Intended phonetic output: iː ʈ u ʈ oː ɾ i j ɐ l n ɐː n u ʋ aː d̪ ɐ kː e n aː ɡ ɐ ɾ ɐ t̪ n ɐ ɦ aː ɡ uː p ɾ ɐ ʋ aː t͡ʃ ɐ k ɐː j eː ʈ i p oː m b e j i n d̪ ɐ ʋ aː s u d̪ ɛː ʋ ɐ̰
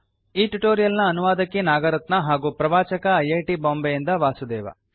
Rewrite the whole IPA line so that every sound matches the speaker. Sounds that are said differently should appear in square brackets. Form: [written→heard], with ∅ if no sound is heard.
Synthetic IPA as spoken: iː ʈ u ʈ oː ɾ i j ɐ l n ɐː n u ʋ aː d̪ ɐ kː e n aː ɡ ɐ ɾ ɐ t̪ n ɐ ɦ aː ɡ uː p ɾ ɐ ʋ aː t͡ʃ ɐ k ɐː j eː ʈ i [p→b] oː m b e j i n d̪ ɐ ʋ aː s u d̪ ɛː ʋ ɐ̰